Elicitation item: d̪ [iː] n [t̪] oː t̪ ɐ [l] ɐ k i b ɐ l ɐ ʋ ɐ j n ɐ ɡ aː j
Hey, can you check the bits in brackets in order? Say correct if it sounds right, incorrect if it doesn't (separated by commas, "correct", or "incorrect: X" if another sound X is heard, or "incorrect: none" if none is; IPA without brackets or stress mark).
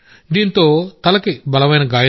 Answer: correct, correct, correct